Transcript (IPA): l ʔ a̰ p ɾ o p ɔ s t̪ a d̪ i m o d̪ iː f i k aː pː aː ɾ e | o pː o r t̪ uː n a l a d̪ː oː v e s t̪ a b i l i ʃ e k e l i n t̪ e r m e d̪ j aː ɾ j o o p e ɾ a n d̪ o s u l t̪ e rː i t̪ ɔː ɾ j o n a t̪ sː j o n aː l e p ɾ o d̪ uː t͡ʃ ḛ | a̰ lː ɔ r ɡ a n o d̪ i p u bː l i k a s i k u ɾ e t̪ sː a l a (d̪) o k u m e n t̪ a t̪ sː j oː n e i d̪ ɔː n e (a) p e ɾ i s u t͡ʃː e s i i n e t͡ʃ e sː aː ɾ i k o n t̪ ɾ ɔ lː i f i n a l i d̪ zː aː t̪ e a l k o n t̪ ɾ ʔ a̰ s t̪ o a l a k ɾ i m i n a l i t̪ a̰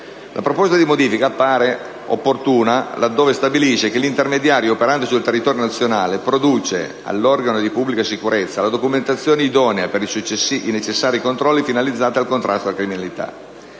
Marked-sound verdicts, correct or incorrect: correct, correct

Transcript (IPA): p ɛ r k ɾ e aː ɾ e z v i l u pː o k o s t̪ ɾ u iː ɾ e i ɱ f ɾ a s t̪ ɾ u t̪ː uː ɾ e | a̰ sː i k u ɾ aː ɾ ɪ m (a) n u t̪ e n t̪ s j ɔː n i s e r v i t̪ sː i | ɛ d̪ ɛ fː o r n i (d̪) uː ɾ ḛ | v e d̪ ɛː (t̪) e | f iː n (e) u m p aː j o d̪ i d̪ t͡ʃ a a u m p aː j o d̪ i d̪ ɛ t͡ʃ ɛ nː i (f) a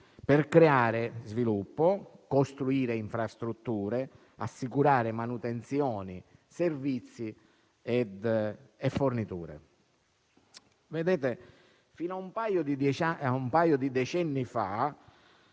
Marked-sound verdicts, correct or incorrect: correct, incorrect: t̪, correct, incorrect: a, correct

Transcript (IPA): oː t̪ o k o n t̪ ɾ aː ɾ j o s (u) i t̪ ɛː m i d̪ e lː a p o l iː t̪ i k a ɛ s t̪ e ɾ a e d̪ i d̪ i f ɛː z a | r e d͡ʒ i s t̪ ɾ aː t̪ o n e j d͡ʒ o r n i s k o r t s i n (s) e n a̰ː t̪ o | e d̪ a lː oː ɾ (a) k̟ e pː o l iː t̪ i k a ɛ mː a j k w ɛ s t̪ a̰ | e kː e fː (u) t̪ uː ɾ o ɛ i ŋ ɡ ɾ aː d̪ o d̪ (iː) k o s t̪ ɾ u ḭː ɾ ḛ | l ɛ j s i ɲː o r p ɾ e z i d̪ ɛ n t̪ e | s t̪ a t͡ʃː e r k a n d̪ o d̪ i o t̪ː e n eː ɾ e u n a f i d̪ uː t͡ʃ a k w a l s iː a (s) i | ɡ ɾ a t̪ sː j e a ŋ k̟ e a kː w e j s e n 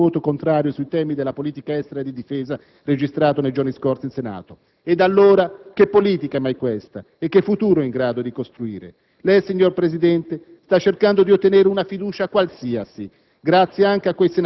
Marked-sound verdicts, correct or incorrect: correct, correct, correct, correct, incorrect: i, correct

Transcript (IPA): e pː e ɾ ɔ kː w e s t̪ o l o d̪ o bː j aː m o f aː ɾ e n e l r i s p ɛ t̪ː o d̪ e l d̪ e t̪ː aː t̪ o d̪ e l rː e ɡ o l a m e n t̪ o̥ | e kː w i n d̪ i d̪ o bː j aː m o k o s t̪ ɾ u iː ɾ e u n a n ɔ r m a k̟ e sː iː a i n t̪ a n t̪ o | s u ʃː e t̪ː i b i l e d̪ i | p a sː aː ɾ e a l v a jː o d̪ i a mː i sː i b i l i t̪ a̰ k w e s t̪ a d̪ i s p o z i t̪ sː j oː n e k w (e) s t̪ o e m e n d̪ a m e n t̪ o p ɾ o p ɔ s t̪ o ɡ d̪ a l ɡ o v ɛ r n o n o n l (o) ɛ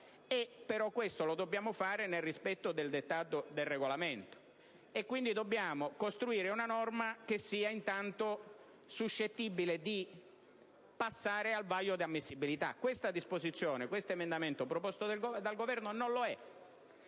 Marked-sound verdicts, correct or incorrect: correct, correct

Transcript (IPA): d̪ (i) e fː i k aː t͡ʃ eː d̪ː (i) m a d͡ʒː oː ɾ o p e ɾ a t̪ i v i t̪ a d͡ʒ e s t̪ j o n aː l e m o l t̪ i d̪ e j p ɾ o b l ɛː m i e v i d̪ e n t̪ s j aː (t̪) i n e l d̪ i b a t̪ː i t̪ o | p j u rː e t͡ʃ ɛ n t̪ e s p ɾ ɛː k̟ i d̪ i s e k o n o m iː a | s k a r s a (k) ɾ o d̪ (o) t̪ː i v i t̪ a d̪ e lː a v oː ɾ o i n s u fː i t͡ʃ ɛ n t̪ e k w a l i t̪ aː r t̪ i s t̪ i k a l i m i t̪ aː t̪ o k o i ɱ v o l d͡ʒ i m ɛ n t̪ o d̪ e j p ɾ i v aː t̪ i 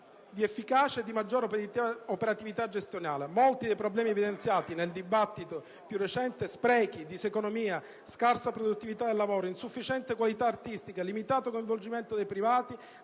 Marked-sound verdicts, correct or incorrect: correct, correct, correct, incorrect: p, incorrect: u

